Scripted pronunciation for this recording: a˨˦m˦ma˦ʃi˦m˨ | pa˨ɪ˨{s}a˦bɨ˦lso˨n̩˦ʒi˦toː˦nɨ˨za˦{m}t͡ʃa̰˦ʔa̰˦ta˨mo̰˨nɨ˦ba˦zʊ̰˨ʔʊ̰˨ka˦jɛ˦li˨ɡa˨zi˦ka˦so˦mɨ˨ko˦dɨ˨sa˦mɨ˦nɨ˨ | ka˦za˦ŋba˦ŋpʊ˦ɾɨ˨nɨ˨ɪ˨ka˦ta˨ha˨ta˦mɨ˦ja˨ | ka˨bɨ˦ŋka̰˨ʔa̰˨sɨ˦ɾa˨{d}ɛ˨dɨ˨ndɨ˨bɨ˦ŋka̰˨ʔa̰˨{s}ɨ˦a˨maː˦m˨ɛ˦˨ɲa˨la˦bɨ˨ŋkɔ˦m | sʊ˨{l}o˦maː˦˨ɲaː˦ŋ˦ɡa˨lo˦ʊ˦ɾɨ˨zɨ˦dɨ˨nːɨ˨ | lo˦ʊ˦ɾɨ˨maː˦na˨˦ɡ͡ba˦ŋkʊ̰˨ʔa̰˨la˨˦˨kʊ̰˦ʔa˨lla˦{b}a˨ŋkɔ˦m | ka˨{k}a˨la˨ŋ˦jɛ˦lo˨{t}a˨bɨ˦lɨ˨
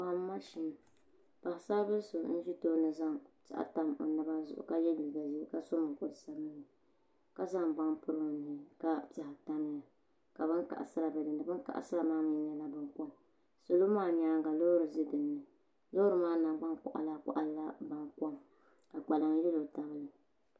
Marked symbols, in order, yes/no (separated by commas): yes, no, no, yes, yes, yes, no, yes